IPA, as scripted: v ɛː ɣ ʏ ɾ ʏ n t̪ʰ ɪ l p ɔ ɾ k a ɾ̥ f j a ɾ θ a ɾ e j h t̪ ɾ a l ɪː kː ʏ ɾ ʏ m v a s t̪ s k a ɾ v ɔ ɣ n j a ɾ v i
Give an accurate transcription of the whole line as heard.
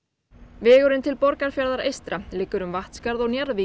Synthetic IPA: v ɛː ɣ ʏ ɾ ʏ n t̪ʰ ɪ l p ɔ ɾ k a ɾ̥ f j a ɾ ð a ɾ e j s t̪ ɾ a l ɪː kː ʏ ɾ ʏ m v a h t̪ s k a ɾ ð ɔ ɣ n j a ɾ v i